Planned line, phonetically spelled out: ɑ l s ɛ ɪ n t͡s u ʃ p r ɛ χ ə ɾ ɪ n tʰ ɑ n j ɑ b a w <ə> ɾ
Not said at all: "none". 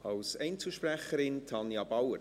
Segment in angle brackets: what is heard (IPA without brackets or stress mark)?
ə